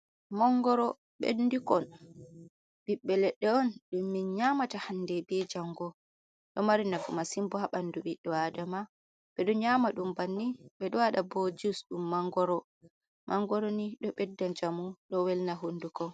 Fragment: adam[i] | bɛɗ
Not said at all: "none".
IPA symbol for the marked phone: a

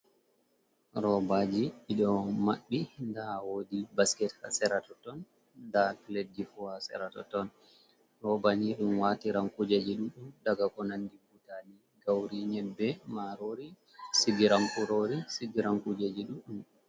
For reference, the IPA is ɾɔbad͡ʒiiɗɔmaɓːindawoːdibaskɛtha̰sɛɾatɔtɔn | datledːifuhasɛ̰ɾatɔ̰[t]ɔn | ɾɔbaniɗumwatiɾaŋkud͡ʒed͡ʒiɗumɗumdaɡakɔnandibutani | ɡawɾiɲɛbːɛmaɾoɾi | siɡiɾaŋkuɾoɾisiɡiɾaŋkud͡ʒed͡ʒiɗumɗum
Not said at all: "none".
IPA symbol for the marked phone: t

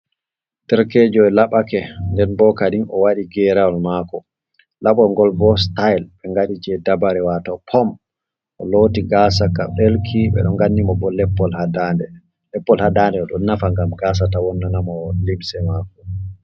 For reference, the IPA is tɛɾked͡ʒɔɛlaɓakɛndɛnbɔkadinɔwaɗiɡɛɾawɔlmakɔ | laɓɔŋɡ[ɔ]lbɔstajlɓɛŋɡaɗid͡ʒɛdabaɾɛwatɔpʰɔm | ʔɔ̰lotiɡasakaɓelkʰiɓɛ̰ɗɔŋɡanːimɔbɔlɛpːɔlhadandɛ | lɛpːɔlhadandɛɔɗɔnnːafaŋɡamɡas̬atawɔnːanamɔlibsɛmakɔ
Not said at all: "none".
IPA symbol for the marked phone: ɔ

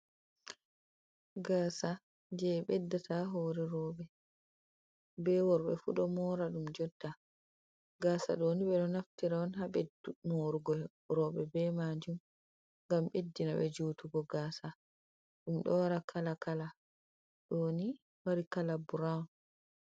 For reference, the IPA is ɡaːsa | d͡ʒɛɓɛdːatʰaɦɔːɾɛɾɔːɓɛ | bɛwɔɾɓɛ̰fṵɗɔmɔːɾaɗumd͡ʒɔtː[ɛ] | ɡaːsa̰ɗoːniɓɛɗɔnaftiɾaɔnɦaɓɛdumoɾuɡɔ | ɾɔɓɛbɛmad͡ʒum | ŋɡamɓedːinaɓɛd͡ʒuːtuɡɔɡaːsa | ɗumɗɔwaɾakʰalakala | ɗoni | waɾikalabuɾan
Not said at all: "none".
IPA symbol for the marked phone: a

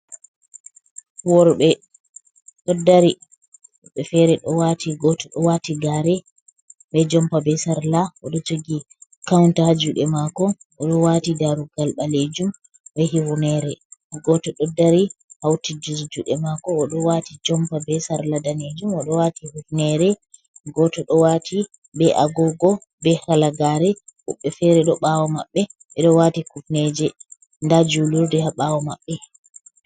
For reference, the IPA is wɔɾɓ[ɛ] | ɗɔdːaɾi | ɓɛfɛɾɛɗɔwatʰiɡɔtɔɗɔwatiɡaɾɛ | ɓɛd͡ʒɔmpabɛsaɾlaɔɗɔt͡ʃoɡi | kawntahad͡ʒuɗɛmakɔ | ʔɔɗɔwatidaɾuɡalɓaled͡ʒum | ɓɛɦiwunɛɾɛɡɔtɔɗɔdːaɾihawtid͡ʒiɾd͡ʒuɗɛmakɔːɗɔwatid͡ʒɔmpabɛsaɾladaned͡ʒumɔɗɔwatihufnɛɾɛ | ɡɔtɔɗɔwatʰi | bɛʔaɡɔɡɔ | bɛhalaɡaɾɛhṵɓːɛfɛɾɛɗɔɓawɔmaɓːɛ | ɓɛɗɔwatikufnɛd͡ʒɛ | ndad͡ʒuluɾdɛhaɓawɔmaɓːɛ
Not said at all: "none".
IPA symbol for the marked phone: ɛ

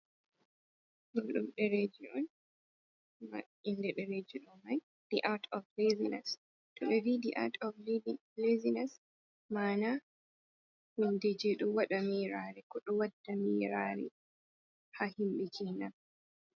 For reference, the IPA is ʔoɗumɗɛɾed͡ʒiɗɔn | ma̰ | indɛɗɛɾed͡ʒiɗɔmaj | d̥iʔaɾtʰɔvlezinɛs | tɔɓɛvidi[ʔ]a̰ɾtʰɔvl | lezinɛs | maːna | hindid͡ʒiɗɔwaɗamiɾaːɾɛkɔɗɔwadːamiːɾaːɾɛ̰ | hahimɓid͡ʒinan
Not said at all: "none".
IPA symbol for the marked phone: ʔ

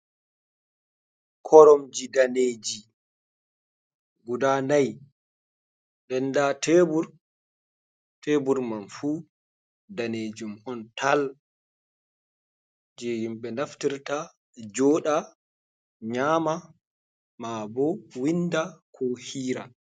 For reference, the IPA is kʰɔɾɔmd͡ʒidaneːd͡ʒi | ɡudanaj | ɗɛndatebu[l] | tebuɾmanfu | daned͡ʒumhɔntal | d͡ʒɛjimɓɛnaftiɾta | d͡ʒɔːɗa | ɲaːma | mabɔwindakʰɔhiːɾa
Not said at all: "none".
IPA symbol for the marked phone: ɾ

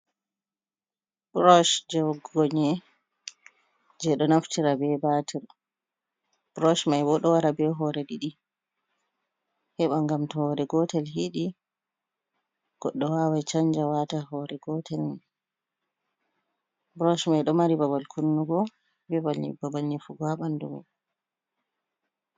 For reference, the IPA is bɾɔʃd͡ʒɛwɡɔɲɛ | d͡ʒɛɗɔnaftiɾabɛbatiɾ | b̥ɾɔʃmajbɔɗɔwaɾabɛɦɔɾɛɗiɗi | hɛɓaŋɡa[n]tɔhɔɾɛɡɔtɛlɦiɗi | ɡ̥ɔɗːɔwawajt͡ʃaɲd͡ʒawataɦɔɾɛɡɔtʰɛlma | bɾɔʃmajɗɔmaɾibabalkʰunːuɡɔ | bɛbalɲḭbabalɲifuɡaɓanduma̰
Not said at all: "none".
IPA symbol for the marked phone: m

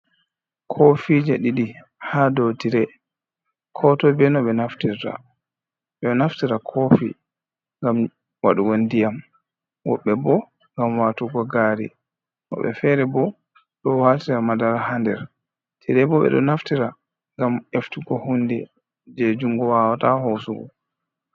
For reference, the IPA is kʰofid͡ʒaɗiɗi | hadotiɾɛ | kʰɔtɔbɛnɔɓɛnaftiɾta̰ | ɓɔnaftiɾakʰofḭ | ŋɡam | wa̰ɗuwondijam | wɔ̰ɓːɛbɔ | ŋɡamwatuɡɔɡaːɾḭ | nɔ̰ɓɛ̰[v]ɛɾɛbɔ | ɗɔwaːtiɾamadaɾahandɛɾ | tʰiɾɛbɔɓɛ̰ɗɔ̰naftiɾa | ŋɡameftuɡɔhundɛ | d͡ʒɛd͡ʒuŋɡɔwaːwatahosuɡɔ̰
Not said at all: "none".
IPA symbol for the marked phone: f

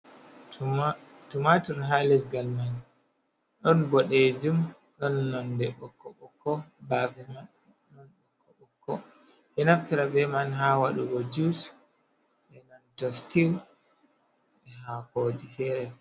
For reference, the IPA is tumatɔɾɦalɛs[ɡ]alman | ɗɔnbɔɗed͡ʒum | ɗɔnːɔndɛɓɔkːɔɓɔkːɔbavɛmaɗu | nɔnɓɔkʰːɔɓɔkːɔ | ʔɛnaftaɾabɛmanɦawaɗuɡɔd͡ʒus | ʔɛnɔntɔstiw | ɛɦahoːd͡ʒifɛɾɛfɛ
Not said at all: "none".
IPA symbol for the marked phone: ɡ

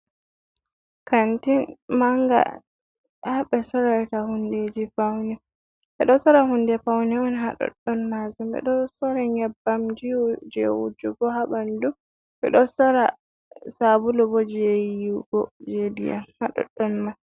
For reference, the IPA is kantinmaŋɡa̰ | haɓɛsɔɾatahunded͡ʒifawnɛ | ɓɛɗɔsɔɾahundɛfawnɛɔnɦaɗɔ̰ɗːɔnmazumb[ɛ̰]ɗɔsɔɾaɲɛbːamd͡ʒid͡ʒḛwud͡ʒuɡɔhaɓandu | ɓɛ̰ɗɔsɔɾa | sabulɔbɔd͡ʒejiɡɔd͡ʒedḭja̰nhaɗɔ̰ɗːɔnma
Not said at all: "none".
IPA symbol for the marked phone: ɛ̰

